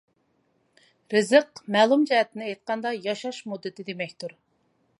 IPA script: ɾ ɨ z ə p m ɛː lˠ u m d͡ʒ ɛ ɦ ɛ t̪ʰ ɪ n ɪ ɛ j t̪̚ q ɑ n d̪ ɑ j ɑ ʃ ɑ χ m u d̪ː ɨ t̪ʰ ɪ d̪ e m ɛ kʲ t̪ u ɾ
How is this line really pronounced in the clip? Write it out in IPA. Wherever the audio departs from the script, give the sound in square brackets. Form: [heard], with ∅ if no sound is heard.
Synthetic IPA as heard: ɾ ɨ z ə [q] m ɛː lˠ u m d͡ʒ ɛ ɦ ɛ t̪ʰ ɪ n ɪ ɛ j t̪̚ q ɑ n d̪ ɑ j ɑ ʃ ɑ [ʃ] m u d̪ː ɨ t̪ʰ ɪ d̪ e m ɛ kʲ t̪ u ɾ